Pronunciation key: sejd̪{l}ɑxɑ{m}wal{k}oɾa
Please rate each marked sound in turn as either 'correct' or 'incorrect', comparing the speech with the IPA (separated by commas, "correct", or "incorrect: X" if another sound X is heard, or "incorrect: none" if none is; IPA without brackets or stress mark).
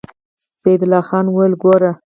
correct, incorrect: n, incorrect: ɡ